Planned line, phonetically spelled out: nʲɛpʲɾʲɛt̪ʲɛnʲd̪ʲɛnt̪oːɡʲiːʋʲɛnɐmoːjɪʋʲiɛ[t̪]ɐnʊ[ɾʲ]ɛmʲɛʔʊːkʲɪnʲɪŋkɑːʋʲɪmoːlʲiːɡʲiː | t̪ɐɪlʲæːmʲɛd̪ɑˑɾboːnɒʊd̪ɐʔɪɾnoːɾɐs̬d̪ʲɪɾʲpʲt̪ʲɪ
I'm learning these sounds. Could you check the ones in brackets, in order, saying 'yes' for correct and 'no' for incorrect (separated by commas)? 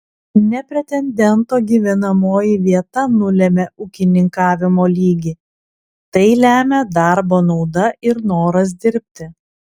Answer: yes, no